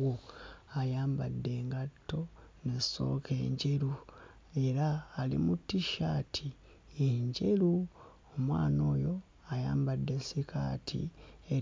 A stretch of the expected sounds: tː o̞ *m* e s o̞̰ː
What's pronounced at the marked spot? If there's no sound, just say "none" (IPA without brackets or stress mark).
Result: n